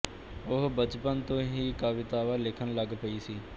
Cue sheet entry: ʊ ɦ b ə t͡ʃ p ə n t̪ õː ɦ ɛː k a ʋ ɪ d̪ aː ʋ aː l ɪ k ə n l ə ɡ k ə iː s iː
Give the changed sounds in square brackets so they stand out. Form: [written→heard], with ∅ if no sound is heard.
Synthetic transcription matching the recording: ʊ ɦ b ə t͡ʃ p ə n t̪ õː ɦ [ɛː→iː] k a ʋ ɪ [d̪→t̪] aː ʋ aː l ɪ [k→kʰ] ə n l ə ɡ [k→p] ə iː s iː

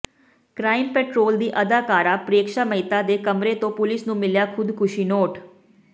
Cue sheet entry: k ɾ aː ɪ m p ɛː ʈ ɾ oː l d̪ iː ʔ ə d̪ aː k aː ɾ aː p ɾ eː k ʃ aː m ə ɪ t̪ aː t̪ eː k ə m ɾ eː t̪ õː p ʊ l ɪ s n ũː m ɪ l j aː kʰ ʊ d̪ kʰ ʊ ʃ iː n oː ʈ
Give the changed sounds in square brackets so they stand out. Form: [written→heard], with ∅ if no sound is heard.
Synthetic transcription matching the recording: k ɾ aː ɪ m p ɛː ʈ ɾ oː l d̪ iː ʔ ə d̪ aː k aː ɾ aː p ɾ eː k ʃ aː m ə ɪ t̪ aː [t̪→d̪] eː k ə m ɾ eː t̪ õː p ʊ l ɪ s n ũː m ɪ l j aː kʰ ʊ d̪ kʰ ʊ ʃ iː n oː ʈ

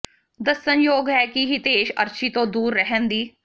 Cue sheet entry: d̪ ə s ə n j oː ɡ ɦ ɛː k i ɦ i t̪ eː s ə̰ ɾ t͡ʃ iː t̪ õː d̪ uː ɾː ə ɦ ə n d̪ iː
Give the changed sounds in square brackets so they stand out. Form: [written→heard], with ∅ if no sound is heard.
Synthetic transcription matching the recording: d̪ ə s ə n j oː ɡ ɦ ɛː k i ɦ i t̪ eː [s→ʃ] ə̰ ɾ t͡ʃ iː t̪ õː d̪ uː ɾː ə ɦ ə n d̪ iː

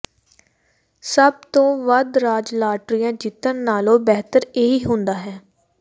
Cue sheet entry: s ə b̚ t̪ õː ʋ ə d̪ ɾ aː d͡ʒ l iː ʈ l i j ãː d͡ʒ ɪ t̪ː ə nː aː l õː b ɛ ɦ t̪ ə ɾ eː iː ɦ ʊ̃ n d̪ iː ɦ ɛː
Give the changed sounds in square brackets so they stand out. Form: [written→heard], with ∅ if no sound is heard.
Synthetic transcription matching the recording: s ə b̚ t̪ õː ʋ ə d̪ ɾ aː d͡ʒ l [iː→aː] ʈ [l→ɾ] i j ãː d͡ʒ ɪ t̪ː ə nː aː l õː b ɛ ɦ t̪ ə ɾ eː iː ɦ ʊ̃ n d̪ [iː→aː] ɦ ɛː

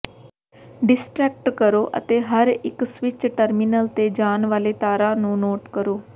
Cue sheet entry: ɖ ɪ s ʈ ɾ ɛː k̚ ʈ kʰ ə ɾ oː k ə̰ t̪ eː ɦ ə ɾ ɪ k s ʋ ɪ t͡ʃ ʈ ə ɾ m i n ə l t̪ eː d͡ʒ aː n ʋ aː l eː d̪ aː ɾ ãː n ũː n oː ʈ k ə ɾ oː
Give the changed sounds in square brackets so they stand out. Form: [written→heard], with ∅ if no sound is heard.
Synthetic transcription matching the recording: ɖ ɪ s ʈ ɾ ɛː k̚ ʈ [kʰ→k] ə ɾ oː [k→ʔ] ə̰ t̪ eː ɦ ə ɾ ɪ k s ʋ ɪ t͡ʃ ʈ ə ɾ m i n ə l t̪ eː d͡ʒ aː n ʋ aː l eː [d̪→t̪] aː ɾ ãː n ũː n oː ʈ k ə ɾ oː

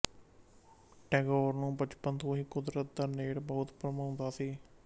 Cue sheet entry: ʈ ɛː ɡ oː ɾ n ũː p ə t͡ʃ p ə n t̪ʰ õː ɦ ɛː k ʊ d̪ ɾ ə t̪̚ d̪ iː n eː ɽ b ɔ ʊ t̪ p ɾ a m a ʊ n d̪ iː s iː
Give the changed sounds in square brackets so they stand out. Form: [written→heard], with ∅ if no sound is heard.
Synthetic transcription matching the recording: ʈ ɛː ɡ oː ɾ n ũː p ə t͡ʃ p ə n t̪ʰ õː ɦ [ɛː→iː] k ʊ d̪ ɾ ə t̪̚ d̪ [iː→aː] n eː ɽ b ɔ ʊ t̪ p ɾ [a→ə] m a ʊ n d̪ [iː→aː] s iː

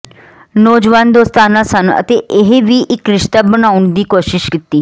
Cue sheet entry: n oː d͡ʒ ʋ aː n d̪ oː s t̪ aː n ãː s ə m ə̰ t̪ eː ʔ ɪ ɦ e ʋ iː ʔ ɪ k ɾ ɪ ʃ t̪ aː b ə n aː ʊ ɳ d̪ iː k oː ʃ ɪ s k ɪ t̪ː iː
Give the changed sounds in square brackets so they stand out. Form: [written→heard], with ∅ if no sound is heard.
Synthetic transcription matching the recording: n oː d͡ʒ ʋ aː n d̪ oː s t̪ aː n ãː s ə [m→n] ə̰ t̪ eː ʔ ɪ ɦ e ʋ iː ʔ ɪ k ɾ ɪ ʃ t̪ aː b ə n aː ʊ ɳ d̪ iː k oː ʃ ɪ [s→ʃ] k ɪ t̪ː iː

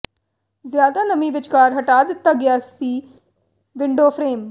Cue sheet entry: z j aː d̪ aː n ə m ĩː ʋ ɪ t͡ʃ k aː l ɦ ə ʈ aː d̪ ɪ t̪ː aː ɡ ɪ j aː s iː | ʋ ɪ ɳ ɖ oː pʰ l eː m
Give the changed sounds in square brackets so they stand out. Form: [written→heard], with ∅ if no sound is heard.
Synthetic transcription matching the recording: z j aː d̪ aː n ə m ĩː ʋ ɪ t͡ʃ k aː [l→ɾ] ɦ ə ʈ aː d̪ ɪ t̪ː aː ɡ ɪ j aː s iː | ʋ ɪ ɳ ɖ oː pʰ [l→ɾ] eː m

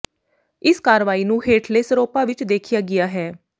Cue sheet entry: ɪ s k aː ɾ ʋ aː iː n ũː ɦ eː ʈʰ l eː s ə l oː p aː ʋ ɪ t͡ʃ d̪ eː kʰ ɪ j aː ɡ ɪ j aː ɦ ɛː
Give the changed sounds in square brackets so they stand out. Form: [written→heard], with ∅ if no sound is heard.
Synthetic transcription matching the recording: ɪ s k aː ɾ ʋ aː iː n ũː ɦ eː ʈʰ l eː s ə [l→ɾ] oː p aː ʋ ɪ t͡ʃ d̪ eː kʰ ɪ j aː ɡ ɪ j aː ɦ ɛː

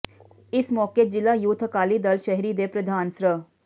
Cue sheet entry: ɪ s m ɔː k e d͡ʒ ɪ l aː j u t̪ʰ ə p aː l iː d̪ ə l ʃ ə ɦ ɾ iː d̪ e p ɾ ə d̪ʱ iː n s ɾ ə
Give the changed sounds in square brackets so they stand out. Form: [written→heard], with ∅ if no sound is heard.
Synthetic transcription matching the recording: ɪ s m ɔː k e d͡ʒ ɪ l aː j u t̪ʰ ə [p→k] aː l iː d̪ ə l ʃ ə ɦ ɾ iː d̪ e p ɾ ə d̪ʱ [iː→aː] n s ɾ ə

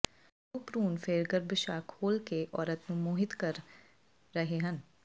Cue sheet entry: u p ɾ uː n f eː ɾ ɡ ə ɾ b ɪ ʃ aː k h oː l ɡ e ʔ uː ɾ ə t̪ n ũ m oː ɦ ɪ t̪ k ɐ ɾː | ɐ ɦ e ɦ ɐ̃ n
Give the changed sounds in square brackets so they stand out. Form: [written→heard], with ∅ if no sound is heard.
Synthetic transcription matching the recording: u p ɾ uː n f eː ɾ ɡ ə ɾ b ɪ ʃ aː k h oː l [ɡ→k] e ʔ [uː→ɔː] ɾ ə t̪ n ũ m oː ɦ ɪ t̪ k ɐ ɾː | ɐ ɦ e ɦ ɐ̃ n

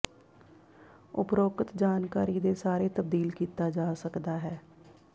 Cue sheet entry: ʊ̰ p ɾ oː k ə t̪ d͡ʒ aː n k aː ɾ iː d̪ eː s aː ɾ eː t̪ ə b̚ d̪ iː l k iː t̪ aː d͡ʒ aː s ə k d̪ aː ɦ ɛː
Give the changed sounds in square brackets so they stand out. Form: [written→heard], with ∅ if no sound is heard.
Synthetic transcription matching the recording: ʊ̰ p ɾ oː k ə t̪ d͡ʒ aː n k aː ɾ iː d̪ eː s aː ɾ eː t̪ ə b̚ d̪ iː l k iː t̪ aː d͡ʒ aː s ə k d̪ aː ɦ ɛː

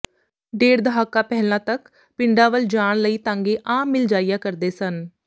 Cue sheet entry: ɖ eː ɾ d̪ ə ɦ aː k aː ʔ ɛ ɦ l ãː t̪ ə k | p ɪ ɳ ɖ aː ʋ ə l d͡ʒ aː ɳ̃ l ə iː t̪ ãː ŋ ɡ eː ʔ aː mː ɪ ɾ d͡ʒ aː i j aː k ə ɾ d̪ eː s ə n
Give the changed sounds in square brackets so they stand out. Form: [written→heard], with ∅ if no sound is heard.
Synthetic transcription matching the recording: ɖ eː ɾ d̪ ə ɦ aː k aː [ʔ→p] ɛ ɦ l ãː t̪ ə k | p ɪ ɳ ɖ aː ʋ ə l d͡ʒ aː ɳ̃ l ə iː t̪ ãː ŋ ɡ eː ʔ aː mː ɪ [ɾ→l] d͡ʒ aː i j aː k ə ɾ d̪ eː s ə n

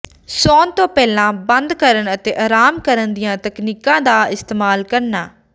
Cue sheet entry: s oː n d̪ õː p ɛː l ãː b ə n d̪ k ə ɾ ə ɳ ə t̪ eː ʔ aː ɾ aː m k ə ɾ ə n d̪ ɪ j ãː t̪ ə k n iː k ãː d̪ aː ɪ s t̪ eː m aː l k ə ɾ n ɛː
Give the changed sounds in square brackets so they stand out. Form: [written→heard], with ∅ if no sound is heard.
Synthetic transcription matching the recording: s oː n [d̪→t̪] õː p ɛː l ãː b ə n d̪ k ə ɾ ə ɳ ə t̪ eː ʔ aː ɾ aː m k ə ɾ ə n d̪ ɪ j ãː t̪ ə k n iː k ãː d̪ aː ɪ s t̪ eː m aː l k ə ɾ n [ɛː→aː]

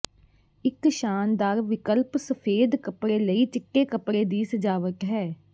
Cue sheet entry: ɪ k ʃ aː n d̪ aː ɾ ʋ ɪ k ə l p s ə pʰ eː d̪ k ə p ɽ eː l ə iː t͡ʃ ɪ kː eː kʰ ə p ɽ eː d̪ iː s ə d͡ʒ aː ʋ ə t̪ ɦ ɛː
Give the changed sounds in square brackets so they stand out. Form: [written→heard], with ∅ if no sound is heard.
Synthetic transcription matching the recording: ɪ k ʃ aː n d̪ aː ɾ ʋ ɪ k ə l p s ə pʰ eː d̪ k ə p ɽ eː l ə iː t͡ʃ ɪ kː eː [kʰ→k] ə p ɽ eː d̪ iː s ə d͡ʒ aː ʋ ə t̪ ɦ ɛː

